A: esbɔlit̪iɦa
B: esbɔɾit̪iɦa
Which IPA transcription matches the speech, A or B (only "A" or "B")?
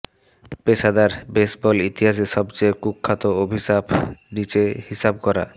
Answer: A